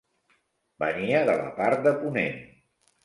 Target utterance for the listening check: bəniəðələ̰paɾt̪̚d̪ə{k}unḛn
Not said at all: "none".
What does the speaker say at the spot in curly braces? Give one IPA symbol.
p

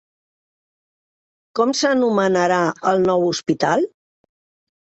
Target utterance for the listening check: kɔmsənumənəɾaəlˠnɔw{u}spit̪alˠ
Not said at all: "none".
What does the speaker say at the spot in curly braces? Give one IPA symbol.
u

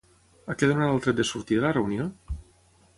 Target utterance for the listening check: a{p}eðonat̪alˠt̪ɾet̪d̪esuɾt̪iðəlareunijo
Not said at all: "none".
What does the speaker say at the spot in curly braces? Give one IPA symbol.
k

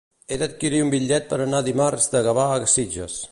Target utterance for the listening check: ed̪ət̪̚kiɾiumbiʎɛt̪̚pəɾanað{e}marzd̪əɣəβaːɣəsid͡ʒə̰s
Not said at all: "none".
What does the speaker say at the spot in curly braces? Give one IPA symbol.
i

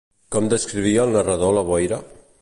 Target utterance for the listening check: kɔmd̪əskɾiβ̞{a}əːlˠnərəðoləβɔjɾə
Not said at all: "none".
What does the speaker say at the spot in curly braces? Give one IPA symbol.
i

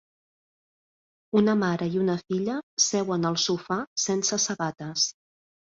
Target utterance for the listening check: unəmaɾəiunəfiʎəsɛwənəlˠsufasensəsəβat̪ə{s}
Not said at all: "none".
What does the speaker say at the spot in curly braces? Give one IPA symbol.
s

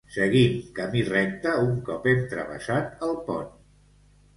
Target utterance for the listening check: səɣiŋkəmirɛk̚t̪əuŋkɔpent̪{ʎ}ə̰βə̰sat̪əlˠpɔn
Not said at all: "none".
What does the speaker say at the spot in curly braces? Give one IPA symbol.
ɾ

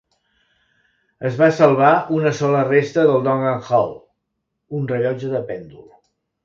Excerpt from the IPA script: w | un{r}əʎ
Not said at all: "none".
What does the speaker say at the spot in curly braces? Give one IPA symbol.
r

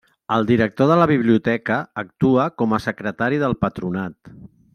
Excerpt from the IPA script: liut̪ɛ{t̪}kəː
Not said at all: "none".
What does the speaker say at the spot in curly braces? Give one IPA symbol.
none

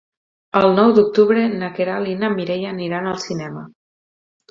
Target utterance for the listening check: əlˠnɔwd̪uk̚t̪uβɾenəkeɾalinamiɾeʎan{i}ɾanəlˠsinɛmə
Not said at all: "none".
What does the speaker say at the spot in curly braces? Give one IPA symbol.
i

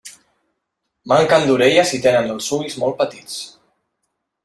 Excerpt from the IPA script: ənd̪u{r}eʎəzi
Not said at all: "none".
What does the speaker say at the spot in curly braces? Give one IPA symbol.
ɾ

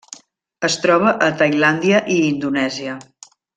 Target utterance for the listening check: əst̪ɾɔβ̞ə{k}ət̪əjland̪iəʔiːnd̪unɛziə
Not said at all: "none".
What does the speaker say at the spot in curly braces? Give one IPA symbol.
ʔ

